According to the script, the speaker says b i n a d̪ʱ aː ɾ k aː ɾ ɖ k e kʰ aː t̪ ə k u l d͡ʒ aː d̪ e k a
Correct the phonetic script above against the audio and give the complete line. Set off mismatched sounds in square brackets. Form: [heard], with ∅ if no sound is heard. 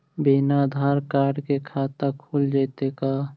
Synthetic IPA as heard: b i n a d̪ʱ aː ɾ k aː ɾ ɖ k e kʰ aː t̪ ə [kʰ] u l d͡ʒ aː [t̪] e k a